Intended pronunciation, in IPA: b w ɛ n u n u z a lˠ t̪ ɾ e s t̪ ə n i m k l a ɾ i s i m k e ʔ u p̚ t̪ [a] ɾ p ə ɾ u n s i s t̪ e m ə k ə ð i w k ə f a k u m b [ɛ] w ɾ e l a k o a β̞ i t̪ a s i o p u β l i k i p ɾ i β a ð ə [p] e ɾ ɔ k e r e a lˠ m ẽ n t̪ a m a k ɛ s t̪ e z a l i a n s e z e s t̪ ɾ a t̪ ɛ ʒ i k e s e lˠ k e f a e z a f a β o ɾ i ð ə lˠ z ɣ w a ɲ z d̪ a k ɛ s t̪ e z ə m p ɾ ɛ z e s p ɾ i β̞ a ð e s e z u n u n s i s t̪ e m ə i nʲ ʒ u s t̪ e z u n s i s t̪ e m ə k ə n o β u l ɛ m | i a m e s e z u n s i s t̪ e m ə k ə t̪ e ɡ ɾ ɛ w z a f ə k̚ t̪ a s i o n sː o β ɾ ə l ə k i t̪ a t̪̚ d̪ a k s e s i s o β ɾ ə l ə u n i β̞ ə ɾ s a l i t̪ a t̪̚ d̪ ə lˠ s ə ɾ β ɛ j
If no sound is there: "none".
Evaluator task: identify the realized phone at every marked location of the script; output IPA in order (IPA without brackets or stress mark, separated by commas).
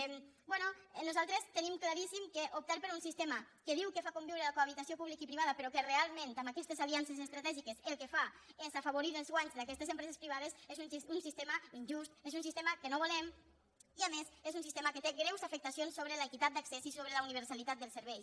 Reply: a, i, p